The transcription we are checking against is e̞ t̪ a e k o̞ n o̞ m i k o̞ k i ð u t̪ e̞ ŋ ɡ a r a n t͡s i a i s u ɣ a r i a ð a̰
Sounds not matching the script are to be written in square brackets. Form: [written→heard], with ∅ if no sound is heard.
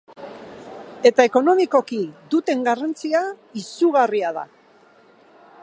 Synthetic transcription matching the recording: e̞ t̪ a e k o̞ n o̞ m i k o̞ k i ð u t̪ e̞ ŋ ɡ a r a n t͡s i a i s u ɣ a r i a ð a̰